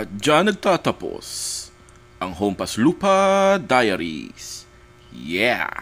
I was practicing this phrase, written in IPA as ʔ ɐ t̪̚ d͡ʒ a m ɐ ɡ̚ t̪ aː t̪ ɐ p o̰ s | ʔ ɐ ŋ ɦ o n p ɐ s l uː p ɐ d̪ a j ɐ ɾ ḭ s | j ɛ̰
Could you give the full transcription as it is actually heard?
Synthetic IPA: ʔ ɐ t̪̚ d͡ʒ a n ɐ ɡ̚ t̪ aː t̪ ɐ p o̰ s | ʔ ɐ ŋ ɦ o m p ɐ s l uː p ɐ d̪ a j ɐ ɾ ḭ s | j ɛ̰